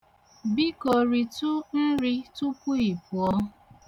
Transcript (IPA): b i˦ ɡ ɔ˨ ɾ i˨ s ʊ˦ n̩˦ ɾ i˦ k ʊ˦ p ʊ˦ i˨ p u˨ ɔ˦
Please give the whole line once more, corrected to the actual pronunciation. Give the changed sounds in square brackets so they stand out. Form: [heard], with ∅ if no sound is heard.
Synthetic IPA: b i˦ [k] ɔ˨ ɾ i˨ [t] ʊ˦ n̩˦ ɾ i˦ [t] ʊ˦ p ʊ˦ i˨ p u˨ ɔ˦